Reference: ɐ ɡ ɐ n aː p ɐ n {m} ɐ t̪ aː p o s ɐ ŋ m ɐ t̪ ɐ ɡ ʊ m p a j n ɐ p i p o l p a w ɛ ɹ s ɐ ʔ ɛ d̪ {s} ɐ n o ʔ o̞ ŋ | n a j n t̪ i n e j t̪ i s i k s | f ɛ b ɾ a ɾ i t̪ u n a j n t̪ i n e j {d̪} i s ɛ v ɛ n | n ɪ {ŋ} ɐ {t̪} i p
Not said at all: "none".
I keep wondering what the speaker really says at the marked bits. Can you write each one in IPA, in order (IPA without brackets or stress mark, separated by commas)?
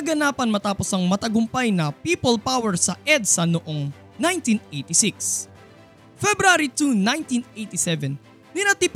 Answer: m, s, t̪, n, t̪